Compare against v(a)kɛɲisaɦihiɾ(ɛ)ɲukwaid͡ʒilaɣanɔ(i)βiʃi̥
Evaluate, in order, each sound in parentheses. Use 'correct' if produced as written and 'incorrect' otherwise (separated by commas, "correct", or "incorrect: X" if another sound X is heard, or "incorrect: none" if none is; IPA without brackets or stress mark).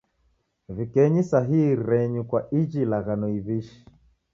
incorrect: i, correct, correct